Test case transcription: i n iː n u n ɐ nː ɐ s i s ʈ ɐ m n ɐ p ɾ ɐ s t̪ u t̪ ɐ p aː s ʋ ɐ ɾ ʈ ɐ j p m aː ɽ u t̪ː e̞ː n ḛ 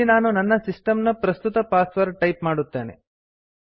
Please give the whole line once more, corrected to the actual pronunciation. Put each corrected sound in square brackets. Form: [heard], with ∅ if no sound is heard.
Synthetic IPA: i n [aː] n u n ɐ nː ɐ s i s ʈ ɐ m n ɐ p ɾ ɐ s t̪ u t̪ ɐ p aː s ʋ ɐ ɾ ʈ ɐ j p m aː ɽ u t̪ː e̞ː n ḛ